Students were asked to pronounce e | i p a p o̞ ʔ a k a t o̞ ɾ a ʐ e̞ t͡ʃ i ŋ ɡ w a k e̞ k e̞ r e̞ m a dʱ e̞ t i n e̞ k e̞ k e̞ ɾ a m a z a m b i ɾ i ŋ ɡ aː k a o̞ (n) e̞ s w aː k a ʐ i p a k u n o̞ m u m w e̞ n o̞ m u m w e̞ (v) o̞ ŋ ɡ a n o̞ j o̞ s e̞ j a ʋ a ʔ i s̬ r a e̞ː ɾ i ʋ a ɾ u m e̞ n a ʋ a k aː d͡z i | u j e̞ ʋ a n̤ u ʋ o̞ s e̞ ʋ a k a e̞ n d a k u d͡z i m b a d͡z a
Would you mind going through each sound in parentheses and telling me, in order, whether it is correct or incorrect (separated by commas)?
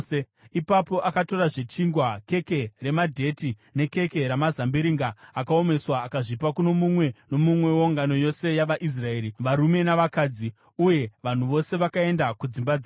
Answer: incorrect, incorrect